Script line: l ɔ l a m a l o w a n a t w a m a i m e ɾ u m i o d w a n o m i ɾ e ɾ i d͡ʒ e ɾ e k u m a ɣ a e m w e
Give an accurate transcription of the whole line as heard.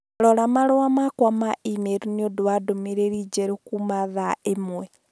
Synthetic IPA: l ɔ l a m a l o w a m a k w a m a i m e ɾ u n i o d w a d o m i ɾ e ɾ i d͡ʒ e ɾ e k u m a ð a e m w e